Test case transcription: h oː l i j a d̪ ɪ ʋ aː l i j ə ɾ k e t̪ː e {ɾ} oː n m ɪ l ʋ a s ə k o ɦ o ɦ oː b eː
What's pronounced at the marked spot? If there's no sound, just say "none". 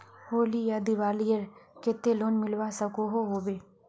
l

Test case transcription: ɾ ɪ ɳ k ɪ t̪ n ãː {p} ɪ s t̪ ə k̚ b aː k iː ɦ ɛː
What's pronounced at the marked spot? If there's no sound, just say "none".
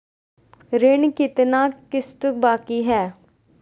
k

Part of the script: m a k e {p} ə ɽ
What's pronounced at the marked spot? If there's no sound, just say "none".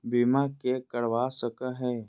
k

